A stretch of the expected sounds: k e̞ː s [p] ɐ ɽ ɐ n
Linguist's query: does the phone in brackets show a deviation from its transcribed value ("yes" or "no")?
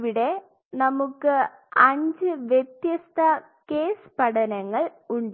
no